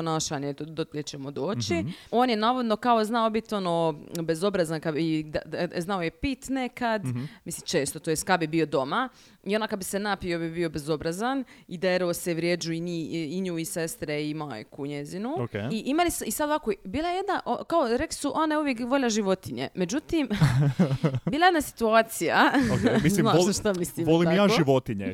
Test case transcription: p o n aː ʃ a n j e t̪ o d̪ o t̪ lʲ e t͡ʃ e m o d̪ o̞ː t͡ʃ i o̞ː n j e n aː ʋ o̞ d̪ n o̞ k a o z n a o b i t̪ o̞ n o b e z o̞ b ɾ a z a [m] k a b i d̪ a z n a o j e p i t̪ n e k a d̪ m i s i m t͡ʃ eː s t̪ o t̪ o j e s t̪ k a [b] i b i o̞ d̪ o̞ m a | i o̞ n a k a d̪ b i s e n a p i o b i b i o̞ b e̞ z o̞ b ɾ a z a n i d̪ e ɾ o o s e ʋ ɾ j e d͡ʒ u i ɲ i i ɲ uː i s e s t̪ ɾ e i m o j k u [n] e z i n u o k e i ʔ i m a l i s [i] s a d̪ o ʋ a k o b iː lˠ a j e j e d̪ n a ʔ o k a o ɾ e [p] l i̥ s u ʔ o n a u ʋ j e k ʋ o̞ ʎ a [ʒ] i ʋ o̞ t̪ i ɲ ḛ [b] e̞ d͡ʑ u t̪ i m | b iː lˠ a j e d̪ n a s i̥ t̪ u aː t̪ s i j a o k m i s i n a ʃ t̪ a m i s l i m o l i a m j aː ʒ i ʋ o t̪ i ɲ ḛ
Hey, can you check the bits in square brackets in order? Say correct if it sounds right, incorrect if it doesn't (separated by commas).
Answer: incorrect, correct, incorrect, correct, incorrect, correct, incorrect